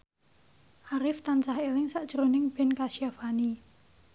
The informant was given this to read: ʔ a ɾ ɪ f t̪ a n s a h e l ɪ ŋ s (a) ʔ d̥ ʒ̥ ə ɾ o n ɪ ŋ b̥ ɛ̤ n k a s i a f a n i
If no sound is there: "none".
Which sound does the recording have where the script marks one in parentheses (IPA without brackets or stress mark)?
a